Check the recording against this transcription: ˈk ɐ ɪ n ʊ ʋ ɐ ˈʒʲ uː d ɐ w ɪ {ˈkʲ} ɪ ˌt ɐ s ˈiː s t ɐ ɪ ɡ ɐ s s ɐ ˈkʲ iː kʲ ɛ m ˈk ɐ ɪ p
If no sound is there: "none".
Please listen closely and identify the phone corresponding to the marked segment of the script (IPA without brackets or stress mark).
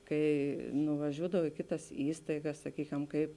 kʲ